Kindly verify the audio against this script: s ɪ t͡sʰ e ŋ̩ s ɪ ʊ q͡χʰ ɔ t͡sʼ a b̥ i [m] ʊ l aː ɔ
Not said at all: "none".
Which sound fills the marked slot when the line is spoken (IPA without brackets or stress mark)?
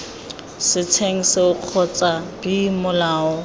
m